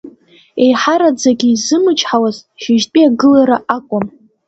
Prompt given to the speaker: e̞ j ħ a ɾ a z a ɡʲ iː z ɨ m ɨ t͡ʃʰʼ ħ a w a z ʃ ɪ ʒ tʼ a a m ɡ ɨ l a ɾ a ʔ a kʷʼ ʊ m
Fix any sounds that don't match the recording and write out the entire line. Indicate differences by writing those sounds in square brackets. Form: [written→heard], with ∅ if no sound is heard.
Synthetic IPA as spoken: e̞ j ħ a ɾ a [z→d͡z] a ɡʲ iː z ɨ m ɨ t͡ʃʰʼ ħ a w a z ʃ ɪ ʒ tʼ [a→i] a [m→∅] ɡ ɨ l a ɾ a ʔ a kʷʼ ʊ m